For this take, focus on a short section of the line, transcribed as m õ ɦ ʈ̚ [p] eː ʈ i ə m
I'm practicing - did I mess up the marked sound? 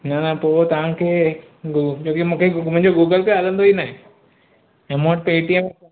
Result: no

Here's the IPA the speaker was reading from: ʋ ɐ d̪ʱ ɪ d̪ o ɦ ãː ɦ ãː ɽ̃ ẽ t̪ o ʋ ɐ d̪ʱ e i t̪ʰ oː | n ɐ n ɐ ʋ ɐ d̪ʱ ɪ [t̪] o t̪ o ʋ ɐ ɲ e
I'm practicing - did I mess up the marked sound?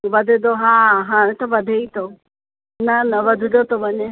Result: yes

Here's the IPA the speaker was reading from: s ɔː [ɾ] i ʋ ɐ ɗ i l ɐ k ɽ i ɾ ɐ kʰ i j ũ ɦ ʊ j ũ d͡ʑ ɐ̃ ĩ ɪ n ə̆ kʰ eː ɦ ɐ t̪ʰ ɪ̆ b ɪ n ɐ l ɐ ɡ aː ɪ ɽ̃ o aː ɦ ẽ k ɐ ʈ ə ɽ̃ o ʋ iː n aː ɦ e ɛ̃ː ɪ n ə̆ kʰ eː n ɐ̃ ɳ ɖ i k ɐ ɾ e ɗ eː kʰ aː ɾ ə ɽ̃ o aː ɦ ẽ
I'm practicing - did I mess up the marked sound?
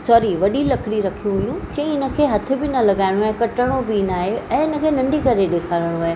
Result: no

